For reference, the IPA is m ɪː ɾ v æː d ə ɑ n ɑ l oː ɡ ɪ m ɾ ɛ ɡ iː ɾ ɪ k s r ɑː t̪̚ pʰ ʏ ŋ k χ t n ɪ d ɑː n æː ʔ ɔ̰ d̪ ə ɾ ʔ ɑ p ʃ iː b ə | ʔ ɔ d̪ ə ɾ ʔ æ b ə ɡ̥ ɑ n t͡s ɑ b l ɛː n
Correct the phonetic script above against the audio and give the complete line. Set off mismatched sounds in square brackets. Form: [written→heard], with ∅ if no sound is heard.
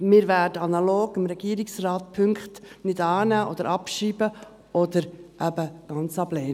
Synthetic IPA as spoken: m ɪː ɾ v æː d ə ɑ n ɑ l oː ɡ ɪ m ɾ ɛ ɡ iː ɾ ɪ k s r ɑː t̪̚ pʰ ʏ ŋ k χ t n ɪ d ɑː n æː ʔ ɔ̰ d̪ ə ɾ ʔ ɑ p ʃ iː b ə | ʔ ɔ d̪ ə ɾ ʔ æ b ə ɡ̥ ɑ n t͡s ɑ b l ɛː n